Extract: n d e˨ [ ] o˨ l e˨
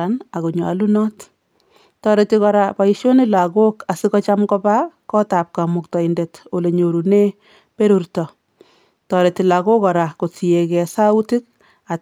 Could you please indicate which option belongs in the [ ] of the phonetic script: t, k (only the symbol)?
t